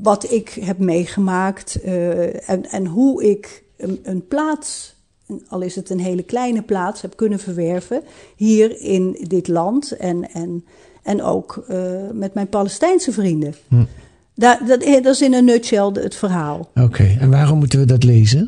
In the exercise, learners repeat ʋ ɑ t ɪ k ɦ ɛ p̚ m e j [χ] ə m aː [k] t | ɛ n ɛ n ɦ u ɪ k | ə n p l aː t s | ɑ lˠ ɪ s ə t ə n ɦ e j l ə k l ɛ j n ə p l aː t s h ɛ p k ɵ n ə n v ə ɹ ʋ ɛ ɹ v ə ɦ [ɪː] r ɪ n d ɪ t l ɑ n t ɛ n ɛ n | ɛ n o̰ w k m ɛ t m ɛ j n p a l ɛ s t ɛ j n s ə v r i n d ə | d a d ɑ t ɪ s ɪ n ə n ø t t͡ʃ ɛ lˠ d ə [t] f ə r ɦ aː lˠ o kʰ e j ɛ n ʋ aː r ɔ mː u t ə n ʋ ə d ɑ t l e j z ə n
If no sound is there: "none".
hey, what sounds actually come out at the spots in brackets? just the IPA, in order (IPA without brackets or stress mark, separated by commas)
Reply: χ, k, iː, t